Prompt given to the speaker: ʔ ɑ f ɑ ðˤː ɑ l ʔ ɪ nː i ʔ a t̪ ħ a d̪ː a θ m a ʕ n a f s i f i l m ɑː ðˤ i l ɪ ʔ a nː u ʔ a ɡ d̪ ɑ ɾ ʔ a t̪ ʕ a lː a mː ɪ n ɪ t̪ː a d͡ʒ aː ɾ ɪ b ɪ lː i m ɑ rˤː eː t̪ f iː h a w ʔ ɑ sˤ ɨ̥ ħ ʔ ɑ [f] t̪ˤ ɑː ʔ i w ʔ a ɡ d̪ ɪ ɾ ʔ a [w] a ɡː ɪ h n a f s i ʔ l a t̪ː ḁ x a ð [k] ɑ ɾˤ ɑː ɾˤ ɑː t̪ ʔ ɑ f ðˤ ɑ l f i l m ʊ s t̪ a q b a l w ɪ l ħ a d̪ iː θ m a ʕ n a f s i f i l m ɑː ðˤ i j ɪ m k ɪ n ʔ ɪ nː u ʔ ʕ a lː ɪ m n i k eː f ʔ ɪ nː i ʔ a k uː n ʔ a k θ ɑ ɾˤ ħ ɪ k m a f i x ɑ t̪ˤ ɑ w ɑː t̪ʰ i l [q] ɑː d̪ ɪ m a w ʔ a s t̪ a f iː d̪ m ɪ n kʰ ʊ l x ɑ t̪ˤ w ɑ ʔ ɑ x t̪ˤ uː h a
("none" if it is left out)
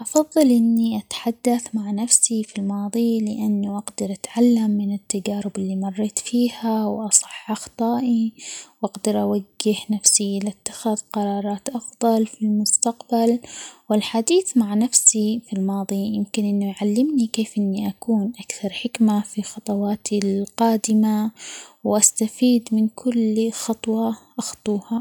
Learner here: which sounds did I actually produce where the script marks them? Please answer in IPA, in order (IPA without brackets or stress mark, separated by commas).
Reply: x, w, q, q